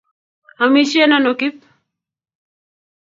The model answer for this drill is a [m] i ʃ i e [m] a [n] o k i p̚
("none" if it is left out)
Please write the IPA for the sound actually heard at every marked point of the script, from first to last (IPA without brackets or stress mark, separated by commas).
m, n, n